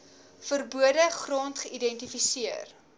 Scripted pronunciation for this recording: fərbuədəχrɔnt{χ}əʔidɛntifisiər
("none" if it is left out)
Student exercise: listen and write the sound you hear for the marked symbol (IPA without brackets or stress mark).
χ